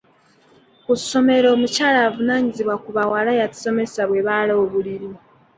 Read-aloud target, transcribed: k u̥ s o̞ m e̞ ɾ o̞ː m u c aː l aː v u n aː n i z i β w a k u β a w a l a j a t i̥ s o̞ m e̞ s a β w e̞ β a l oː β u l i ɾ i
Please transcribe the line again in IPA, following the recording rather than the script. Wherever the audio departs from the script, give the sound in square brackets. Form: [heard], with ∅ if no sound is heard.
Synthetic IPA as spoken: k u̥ s o̞ m e̞ ɾ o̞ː m u c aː l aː v u n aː [ɲ] i z i β w a k u β a w a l a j a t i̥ s o̞ m e̞ s a β w e̞ β a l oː β u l i ɾ i